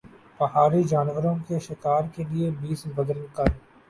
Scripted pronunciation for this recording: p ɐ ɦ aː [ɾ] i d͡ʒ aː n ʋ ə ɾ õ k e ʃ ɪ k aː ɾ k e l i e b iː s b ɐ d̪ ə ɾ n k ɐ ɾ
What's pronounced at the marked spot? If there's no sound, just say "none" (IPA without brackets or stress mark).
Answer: ɾ